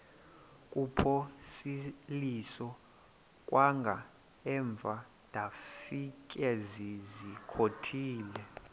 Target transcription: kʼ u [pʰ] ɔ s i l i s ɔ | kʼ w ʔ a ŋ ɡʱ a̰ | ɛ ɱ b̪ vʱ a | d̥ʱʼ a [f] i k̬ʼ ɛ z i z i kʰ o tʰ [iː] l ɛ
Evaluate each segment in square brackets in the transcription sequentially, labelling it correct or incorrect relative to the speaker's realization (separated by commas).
correct, correct, correct